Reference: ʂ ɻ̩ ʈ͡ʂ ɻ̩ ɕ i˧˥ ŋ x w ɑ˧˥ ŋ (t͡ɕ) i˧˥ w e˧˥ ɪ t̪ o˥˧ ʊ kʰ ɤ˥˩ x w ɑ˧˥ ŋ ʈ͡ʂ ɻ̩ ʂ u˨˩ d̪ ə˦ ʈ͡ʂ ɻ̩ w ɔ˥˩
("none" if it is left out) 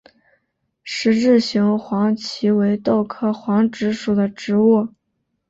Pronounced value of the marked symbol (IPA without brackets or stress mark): t͡ɕʰ